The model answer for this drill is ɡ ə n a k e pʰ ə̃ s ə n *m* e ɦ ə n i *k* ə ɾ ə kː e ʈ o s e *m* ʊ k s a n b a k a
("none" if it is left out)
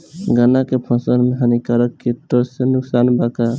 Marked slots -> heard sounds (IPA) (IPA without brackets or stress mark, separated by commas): m, k, n